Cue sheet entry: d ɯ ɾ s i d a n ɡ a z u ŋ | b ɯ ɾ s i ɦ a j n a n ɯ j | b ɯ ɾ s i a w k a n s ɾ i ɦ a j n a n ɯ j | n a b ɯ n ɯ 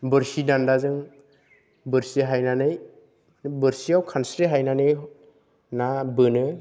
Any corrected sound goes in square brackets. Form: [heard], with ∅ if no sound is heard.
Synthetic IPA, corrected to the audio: [b] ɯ ɾ s i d a n [d] a z [ɯ] ŋ | b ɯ ɾ s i ɦ a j n a n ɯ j | b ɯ ɾ s i a w [kʰ] a n s ɾ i ɦ a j n a n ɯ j | n a b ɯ n ɯ